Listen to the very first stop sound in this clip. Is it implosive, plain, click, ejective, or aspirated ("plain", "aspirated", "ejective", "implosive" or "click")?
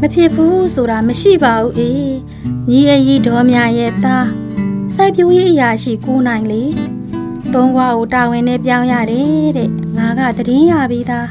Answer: aspirated